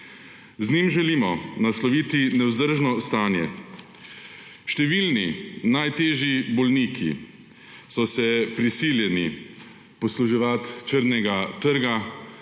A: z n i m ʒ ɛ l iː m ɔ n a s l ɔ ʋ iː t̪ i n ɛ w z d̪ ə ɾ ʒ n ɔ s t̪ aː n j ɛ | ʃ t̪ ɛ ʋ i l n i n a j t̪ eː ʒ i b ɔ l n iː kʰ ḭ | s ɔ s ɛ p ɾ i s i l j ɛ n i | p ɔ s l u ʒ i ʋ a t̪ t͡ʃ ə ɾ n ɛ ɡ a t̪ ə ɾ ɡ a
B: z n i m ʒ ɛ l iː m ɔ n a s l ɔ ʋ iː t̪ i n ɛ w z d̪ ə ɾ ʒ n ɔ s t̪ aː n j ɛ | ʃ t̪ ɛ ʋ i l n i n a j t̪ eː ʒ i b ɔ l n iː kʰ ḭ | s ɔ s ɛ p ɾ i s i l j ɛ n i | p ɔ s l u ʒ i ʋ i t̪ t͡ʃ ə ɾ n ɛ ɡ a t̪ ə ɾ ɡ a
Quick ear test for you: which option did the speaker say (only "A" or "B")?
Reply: A